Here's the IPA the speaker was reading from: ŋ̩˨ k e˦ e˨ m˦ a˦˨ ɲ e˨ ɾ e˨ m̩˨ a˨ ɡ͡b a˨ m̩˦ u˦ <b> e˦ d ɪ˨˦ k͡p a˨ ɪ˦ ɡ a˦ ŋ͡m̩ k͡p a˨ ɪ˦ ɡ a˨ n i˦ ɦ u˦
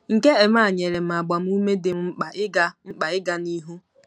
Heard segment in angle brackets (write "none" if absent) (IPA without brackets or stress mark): m